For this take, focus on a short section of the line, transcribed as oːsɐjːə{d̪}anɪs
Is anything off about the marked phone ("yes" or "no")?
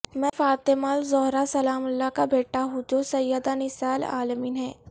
no